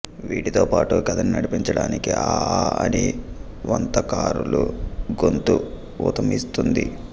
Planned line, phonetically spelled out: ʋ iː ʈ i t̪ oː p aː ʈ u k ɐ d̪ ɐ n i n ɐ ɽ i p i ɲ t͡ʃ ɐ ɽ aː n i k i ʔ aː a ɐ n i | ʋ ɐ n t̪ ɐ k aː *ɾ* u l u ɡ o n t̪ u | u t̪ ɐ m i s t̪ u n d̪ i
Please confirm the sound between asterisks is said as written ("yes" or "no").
yes